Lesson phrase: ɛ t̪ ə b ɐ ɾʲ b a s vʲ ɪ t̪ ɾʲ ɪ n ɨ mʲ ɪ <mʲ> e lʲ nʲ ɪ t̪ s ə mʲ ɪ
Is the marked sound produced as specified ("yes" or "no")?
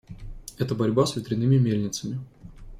yes